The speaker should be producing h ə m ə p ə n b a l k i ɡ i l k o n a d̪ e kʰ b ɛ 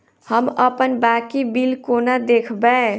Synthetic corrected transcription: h ə m ə p ə n b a k i b i l k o n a d̪ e kʰ b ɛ